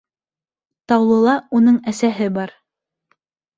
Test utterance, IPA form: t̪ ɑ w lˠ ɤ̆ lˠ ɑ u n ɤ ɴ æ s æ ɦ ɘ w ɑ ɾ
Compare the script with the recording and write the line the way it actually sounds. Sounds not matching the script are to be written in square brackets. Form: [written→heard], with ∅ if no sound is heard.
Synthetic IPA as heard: t̪ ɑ w lˠ ɤ̆ lˠ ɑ u n ɤ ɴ æ s æ ɦ ɘ [w→b] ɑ ɾ

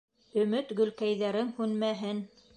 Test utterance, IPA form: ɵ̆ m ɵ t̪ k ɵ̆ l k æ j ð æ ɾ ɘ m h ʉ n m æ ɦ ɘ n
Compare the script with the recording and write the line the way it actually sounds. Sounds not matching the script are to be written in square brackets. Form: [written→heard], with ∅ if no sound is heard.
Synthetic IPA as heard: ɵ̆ m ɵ t̪ [k→ɡ] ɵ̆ l k æ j ð æ ɾ ɘ [m→ŋ] h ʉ n m æ ɦ ɘ n

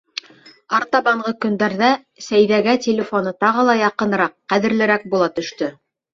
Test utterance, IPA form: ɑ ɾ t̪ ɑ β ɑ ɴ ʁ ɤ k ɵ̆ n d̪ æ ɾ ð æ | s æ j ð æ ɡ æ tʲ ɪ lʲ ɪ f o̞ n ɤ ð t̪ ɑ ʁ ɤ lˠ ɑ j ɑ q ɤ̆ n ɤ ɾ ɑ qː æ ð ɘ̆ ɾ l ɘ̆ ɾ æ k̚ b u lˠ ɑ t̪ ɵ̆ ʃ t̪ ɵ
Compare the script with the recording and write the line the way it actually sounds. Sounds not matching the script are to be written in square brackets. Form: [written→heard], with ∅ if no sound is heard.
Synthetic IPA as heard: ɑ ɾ t̪ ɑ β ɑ ɴ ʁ ɤ k ɵ̆ n d̪ æ ɾ ð æ | s æ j ð æ ɡ æ tʲ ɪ lʲ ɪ f o̞ n ɤ [ð→∅] t̪ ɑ ʁ ɤ lˠ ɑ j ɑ q ɤ̆ n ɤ ɾ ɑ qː æ ð ɘ̆ ɾ l ɘ̆ ɾ æ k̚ b u lˠ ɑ t̪ ɵ̆ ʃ t̪ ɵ

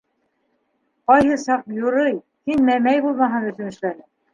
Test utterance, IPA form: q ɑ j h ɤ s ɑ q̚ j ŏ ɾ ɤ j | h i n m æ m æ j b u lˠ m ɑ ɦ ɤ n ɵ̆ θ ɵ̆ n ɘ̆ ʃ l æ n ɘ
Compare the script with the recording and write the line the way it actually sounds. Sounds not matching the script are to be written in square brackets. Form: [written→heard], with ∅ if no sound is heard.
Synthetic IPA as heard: q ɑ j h ɤ s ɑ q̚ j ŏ ɾ ɤ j | h i n m æ m æ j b u lˠ m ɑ ɦ ɤ n ɵ̆ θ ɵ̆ n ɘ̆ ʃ l æ n ɘ

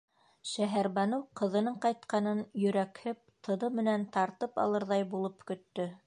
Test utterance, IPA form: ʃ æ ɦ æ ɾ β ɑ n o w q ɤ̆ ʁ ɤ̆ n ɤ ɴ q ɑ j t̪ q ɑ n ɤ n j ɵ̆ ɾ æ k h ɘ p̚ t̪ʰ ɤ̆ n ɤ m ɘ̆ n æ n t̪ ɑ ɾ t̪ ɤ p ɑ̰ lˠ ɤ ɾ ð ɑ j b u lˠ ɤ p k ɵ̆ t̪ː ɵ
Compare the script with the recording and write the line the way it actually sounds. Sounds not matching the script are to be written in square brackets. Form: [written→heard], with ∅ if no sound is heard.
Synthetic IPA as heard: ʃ æ ɦ æ ɾ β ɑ n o w q ɤ̆ [ʁ→ð] ɤ̆ n ɤ ɴ q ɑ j t̪ q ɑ n ɤ n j ɵ̆ ɾ æ k h ɘ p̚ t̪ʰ ɤ̆ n ɤ m ɘ̆ n æ n t̪ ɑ ɾ t̪ ɤ p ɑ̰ lˠ ɤ ɾ ð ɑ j b u lˠ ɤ p k ɵ̆ t̪ː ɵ

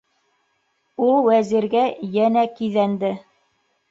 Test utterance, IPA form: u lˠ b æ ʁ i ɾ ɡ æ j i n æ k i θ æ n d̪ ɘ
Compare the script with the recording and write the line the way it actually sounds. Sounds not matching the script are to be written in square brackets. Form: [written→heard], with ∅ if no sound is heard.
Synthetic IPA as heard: u lˠ [b→w] æ [ʁ→z] i ɾ ɡ æ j [i→æ] n æ k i [θ→ð] æ n d̪ ɘ

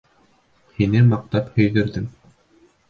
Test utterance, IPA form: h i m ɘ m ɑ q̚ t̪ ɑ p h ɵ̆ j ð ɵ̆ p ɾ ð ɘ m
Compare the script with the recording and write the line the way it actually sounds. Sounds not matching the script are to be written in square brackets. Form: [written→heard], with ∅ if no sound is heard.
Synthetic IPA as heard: h i [m→n] ɘ m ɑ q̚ t̪ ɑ p h ɵ̆ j ð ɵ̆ [p→∅] ɾ ð ɘ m

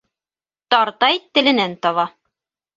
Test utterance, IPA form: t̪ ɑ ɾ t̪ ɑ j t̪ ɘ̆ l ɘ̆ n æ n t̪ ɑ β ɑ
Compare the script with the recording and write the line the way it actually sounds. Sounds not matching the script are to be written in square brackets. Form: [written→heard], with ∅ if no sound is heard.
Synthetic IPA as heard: t̪ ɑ ɾ t̪ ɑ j t̪ ɘ̆ l ɘ̆ n æ n t̪ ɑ β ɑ

